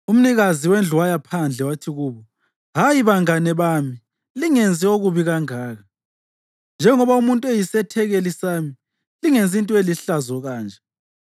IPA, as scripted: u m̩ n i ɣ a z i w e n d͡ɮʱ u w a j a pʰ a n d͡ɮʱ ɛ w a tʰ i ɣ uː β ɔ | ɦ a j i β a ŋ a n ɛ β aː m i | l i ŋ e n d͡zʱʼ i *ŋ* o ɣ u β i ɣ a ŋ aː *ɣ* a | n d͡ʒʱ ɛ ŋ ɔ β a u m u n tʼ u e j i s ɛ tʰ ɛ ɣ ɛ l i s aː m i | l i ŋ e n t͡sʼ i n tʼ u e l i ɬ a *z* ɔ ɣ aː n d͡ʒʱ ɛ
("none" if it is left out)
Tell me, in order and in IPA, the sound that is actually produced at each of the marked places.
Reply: none, ɣ, z

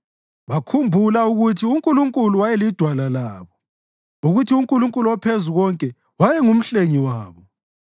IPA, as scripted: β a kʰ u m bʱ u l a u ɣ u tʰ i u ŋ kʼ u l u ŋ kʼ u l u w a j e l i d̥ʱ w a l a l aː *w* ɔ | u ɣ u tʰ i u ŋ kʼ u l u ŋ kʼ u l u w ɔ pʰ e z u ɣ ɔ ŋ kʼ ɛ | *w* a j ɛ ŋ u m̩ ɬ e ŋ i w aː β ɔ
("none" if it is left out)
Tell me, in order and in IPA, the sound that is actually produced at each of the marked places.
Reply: β, w

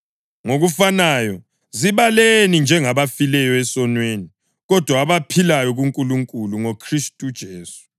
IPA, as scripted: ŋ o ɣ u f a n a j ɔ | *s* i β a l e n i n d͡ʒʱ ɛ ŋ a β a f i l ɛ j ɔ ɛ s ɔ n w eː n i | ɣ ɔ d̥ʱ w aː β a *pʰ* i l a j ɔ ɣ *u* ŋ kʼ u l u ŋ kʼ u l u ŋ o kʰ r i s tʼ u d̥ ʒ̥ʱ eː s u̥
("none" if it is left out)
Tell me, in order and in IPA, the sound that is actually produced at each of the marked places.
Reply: z, pʰ, u

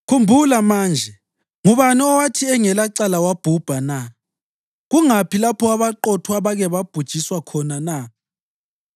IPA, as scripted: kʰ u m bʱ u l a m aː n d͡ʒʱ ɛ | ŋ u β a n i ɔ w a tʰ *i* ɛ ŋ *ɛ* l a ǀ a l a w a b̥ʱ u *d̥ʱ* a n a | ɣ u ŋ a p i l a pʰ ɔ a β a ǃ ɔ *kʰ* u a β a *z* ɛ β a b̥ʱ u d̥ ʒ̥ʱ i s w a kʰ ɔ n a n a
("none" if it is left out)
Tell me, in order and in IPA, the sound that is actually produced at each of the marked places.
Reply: i, ɛ, b̥ʱ, tʰ, ɣ

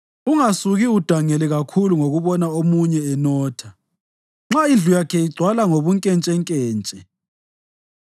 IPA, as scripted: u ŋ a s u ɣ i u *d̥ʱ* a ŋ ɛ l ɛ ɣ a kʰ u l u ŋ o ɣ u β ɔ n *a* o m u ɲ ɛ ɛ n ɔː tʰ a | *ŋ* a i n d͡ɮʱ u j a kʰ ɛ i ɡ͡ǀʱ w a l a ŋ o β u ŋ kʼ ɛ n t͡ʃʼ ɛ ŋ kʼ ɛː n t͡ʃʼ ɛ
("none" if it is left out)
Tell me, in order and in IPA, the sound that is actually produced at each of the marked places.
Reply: d̥ʱ, a, ŋ͡ǁ

